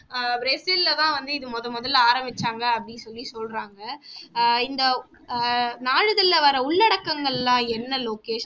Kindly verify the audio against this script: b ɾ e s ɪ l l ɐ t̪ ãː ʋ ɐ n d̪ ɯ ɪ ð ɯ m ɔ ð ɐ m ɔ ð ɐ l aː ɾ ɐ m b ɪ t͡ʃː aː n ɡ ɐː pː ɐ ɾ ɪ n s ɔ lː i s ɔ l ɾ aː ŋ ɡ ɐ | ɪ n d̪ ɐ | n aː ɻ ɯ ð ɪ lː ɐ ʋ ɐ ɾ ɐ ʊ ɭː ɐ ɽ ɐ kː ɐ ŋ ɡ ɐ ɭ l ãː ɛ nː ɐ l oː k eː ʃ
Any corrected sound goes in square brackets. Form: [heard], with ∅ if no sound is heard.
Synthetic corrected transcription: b ɾ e s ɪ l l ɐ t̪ ãː ʋ ɐ n d̪ ɯ ɪ ð ɯ m ɔ ð ɐ m ɔ ð ɐ l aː ɾ ɐ m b ɪ t͡ʃː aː [ŋ] ɡ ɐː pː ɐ [ɽ] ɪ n s ɔ lː i s ɔ l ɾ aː ŋ ɡ ɐ | ɪ n d̪ ɐ | n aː ɻ ɯ ð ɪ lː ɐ ʋ ɐ ɾ ɐ ʊ ɭː ɐ ɽ ɐ kː ɐ ŋ ɡ ɐ ɭ l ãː ɛ nː ɐ l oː k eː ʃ